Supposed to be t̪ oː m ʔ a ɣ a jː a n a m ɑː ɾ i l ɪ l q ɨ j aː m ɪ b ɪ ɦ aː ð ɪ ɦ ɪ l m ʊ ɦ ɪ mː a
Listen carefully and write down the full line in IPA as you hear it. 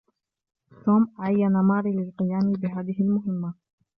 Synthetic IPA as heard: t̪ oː m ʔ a ʕ a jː a n a m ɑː ɾ i l ɪ l q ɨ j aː m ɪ b ɪ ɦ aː ð ɪ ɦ ɪ l m ʊ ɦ ɪ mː a